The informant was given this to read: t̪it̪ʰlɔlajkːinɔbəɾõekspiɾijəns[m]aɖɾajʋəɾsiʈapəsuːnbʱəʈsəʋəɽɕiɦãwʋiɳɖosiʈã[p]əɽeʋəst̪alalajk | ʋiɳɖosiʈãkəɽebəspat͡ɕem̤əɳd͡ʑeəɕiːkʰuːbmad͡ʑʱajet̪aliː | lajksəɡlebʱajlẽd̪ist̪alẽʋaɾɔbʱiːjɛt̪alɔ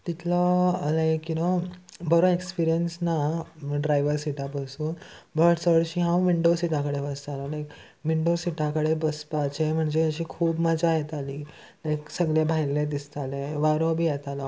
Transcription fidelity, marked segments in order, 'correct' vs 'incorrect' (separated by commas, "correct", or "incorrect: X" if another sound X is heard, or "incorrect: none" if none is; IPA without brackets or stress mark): incorrect: n, incorrect: k